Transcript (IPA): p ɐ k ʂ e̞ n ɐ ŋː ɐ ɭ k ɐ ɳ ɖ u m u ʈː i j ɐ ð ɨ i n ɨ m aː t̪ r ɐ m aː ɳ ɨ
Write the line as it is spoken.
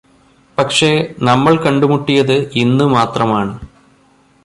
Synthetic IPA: p ɐ k ʂ e̞ n ɐ mː ɐ ɭ k ɐ ɳ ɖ u m u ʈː i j ɐ ð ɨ i nː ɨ m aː t̪ r ɐ m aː ɳ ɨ